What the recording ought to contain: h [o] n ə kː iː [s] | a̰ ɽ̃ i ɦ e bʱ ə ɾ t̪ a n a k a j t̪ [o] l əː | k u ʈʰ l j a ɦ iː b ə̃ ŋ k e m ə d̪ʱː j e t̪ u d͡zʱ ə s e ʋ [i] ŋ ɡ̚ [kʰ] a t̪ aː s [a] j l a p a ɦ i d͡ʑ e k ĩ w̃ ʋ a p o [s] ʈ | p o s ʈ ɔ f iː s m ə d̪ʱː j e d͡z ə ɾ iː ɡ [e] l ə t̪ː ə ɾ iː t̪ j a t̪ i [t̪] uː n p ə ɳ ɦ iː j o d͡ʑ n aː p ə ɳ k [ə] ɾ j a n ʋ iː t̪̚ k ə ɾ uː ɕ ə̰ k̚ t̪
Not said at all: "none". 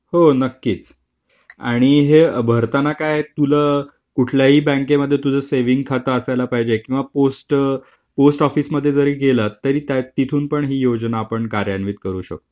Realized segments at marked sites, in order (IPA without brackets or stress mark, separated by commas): o, t͡s, u, i, kʰ, a, s, e, t̪ʰ, a